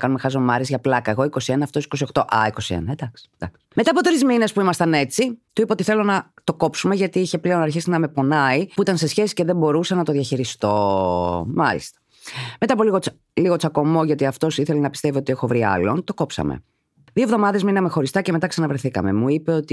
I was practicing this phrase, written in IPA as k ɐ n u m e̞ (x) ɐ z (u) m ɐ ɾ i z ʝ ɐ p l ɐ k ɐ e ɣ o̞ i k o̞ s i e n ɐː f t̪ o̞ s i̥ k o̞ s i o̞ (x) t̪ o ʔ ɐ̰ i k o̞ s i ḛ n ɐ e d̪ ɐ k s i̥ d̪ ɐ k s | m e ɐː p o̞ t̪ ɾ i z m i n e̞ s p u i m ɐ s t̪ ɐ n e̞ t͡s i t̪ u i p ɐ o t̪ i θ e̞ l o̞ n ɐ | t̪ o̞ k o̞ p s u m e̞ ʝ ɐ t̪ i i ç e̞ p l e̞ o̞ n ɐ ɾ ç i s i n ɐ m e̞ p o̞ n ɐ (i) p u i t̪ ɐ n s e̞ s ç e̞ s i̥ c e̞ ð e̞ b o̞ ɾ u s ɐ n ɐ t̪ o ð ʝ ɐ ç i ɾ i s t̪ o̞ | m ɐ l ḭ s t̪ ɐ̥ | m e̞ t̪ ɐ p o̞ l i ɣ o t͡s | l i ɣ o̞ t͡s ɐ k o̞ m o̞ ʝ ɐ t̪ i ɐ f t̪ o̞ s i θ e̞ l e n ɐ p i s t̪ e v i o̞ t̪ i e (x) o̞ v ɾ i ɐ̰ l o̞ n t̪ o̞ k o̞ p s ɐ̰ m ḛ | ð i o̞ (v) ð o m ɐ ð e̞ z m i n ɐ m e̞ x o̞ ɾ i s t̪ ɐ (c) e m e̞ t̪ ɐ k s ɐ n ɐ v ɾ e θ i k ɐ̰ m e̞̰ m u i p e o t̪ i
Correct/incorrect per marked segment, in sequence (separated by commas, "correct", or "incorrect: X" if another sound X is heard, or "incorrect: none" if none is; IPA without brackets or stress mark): correct, incorrect: o, correct, correct, correct, correct, correct